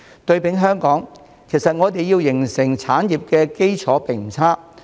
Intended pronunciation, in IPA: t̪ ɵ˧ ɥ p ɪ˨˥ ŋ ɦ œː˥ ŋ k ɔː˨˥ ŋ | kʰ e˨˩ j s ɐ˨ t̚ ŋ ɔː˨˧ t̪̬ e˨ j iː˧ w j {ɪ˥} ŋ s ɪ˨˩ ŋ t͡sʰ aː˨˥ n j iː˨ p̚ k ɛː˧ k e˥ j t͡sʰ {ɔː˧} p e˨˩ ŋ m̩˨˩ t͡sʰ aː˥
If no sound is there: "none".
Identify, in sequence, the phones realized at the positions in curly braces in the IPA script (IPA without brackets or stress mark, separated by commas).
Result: ɪ˨˩, ɔː˨˥